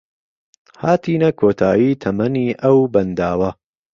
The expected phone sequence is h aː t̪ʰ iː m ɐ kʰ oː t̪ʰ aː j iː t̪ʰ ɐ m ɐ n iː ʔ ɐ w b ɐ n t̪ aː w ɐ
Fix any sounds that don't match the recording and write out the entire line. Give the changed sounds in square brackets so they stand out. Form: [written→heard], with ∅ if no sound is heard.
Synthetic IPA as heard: h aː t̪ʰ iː [m→n] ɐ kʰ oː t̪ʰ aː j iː t̪ʰ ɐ m ɐ n iː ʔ ɐ w b ɐ n [t̪→d̪] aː w ɐ